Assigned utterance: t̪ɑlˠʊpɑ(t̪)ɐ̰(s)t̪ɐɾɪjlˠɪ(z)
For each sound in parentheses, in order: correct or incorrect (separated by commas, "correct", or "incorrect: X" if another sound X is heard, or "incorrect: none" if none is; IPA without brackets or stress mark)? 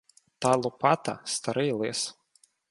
correct, correct, incorrect: s